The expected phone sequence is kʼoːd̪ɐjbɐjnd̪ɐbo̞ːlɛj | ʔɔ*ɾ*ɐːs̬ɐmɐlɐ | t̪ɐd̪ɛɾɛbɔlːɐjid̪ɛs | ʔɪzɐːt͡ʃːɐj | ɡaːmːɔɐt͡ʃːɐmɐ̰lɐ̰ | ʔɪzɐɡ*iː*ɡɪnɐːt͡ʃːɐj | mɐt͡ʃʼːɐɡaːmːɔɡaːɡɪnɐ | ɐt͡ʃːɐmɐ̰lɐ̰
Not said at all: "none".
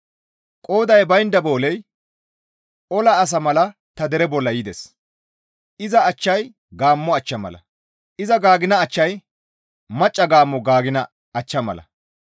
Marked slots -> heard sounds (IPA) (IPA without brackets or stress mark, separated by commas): l, aː